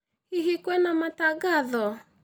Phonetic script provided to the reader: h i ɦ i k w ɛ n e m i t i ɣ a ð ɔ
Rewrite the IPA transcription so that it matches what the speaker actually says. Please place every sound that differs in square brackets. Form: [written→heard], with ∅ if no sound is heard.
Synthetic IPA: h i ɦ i k w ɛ n [e→a] m [i→a] t [i→a] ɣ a ð ɔ